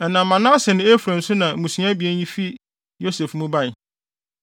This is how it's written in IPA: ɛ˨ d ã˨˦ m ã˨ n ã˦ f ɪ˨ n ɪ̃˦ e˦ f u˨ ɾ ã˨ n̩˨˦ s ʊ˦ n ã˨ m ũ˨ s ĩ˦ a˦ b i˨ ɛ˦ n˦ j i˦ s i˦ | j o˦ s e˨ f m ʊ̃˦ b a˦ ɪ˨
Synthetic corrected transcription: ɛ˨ n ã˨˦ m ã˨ n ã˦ s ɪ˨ n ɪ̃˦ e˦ f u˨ ɾ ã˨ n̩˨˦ s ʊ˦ n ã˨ m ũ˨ s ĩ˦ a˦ b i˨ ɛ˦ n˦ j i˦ f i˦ | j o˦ s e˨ f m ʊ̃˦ b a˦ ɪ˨